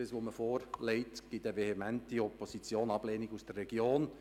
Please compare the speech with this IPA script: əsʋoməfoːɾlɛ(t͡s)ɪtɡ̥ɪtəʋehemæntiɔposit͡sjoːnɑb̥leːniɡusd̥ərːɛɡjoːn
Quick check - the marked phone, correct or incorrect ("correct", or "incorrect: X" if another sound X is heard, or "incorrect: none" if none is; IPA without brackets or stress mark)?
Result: incorrect: none